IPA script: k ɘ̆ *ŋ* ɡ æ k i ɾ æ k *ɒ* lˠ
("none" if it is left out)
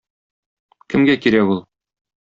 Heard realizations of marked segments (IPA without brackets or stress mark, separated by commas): m, u